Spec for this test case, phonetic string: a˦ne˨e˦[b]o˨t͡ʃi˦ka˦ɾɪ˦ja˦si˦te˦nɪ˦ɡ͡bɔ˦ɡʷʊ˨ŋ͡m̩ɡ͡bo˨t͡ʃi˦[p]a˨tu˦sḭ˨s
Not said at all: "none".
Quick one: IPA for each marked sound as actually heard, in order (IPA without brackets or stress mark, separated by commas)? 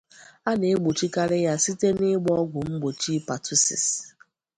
ɡ͡b, p